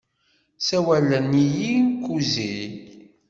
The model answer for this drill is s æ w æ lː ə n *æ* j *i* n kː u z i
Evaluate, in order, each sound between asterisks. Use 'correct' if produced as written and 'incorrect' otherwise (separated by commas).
incorrect, correct